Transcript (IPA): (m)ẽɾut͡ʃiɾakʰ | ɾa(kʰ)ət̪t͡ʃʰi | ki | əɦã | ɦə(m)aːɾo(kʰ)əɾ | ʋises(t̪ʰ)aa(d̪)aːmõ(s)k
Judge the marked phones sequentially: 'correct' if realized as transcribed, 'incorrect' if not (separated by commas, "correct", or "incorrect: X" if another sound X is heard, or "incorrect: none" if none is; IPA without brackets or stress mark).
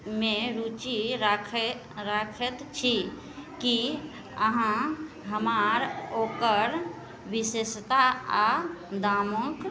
correct, correct, correct, incorrect: k, incorrect: t̪, correct, incorrect: none